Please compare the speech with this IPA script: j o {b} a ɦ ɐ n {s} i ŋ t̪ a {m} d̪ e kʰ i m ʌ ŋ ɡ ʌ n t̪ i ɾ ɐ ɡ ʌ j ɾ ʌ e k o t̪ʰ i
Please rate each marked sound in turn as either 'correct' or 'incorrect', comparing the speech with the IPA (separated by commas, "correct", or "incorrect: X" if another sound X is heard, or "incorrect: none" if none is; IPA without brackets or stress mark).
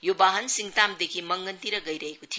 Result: correct, correct, correct